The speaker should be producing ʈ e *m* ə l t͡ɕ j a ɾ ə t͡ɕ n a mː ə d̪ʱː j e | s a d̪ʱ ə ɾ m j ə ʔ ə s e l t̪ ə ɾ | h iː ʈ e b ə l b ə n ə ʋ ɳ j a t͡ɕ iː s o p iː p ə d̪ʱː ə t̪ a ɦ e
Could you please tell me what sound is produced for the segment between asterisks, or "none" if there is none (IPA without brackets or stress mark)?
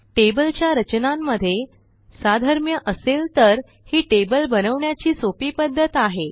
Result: b